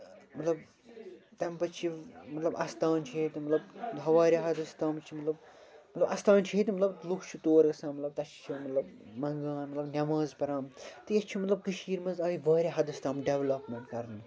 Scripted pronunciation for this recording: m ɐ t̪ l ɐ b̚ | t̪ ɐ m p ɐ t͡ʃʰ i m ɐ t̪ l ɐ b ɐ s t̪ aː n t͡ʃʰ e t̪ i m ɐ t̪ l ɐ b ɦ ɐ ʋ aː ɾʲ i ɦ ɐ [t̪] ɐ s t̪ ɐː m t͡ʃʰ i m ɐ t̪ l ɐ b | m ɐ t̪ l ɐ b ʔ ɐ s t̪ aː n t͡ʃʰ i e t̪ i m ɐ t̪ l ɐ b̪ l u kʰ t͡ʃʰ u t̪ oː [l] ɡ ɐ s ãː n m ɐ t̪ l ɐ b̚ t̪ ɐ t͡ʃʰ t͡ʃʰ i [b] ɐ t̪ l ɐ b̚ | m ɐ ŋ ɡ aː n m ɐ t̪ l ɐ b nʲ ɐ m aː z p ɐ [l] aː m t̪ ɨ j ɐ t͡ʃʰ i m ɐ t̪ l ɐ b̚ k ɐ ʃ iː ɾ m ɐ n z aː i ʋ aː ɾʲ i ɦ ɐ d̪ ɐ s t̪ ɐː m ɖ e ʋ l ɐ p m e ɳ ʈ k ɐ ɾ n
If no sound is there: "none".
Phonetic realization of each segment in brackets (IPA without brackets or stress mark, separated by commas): d̪, ɾ, m, ɾ